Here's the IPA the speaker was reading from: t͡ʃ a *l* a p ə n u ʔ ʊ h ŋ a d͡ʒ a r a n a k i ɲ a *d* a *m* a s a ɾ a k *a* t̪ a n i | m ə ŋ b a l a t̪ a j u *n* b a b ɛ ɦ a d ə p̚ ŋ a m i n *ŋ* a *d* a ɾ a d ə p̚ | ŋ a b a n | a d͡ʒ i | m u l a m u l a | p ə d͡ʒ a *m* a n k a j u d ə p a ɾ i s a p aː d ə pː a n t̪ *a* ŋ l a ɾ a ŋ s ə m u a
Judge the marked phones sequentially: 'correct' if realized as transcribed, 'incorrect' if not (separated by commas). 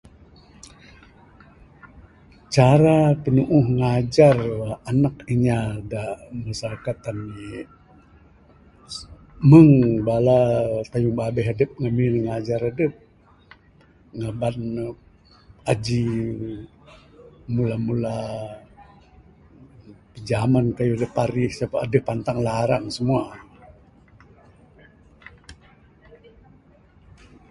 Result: incorrect, correct, correct, correct, incorrect, correct, incorrect, correct, correct